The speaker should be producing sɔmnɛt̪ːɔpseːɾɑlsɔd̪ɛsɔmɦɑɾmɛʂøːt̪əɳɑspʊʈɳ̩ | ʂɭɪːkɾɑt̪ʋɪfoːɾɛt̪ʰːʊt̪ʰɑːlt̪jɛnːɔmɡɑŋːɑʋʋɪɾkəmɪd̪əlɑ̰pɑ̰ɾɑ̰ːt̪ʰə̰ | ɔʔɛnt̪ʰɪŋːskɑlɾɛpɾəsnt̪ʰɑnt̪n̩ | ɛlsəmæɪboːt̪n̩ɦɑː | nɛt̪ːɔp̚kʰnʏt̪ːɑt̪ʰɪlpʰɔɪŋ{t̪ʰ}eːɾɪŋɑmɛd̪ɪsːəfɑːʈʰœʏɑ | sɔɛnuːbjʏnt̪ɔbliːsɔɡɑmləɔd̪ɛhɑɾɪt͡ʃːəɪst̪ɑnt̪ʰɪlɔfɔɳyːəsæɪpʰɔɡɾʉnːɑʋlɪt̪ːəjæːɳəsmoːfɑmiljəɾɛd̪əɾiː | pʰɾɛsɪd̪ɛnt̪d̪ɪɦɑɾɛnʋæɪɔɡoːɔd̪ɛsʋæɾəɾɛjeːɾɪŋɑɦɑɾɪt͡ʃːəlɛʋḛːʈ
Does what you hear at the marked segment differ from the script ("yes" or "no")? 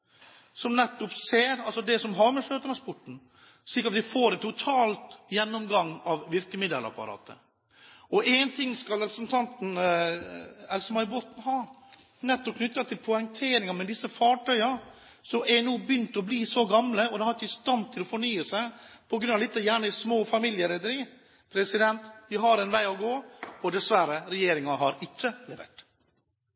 no